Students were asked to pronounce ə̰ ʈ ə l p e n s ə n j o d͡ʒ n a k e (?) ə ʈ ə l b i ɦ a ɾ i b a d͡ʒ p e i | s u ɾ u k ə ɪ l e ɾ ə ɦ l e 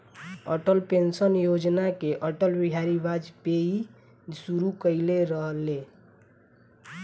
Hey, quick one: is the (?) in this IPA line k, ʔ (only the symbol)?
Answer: ʔ